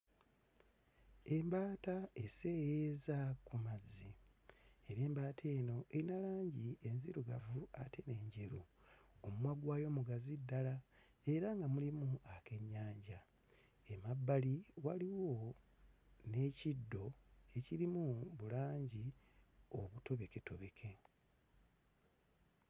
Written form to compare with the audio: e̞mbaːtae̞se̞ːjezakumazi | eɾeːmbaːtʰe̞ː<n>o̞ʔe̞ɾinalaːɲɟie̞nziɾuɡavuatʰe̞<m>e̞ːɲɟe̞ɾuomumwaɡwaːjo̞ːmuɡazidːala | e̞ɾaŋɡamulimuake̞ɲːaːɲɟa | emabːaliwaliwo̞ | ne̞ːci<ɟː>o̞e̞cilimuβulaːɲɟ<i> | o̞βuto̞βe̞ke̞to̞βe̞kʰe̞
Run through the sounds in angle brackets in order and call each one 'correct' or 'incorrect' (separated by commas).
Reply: correct, incorrect, incorrect, correct